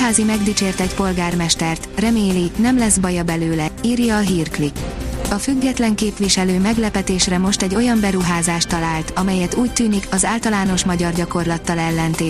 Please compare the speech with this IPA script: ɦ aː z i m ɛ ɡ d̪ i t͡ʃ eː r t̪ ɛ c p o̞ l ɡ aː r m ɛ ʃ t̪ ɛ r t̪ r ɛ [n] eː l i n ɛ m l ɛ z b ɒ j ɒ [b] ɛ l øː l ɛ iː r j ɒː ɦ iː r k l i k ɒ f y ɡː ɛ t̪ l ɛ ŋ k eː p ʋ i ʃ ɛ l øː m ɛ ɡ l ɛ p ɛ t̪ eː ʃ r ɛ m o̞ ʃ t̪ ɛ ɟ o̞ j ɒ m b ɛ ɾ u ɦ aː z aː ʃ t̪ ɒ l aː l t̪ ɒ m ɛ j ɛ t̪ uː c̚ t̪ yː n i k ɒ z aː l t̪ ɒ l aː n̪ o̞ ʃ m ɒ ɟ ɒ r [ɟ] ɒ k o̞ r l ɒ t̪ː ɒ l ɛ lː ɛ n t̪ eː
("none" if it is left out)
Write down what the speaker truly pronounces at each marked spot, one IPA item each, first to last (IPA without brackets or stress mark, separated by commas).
m, b, ɟ